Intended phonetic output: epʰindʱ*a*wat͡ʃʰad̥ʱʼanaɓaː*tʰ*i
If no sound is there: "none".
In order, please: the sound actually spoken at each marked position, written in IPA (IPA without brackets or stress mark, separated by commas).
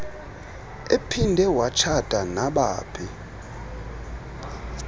ɛ, pʰ